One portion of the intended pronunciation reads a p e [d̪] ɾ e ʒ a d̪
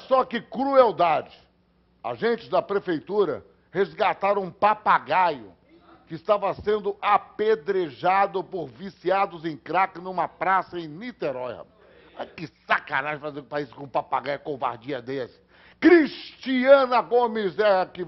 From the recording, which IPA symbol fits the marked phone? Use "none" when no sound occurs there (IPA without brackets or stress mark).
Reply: d̪